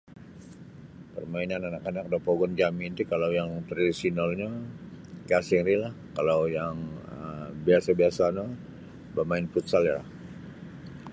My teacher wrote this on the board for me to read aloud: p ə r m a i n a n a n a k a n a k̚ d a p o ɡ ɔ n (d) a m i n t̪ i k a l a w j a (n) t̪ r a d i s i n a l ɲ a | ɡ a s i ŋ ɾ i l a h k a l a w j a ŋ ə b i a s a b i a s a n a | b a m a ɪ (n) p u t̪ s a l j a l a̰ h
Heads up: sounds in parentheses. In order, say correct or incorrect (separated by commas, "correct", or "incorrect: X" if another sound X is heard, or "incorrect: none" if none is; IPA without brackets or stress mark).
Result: incorrect: d͡ʒ, incorrect: ŋ, correct